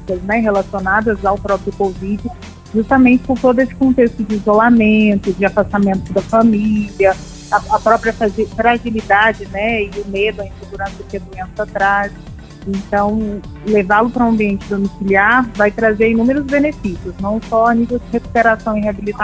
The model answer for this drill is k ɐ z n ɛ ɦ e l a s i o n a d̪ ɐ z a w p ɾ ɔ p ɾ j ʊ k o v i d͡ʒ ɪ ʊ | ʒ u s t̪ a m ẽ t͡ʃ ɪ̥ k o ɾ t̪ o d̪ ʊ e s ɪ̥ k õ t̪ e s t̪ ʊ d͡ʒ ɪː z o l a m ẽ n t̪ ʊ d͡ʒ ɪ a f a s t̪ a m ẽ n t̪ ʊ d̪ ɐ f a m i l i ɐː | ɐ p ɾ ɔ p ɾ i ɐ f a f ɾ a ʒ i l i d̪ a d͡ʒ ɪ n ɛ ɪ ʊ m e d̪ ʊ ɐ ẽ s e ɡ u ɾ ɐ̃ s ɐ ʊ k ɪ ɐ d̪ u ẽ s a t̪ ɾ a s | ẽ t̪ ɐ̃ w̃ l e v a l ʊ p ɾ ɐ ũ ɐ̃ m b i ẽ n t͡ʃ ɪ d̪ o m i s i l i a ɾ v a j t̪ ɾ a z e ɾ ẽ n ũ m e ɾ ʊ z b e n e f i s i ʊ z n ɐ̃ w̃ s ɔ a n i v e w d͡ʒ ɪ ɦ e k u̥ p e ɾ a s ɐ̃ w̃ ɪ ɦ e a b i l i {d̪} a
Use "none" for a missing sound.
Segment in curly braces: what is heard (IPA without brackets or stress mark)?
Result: t̪